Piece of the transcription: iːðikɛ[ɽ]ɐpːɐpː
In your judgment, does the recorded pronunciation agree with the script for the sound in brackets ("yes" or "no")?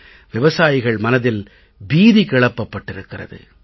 no